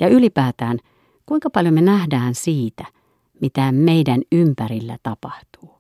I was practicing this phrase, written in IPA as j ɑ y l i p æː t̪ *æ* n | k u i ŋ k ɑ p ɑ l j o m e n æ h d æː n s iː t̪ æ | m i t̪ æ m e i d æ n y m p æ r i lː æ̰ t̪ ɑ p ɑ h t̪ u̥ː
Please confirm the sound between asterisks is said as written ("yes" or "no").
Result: no